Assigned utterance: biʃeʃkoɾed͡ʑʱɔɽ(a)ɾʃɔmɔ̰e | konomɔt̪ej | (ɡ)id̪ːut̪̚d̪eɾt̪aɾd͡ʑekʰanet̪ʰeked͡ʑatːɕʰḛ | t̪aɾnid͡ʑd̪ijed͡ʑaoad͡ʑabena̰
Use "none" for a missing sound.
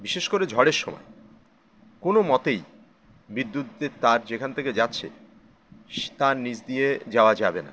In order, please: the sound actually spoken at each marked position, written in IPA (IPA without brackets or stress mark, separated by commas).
e, b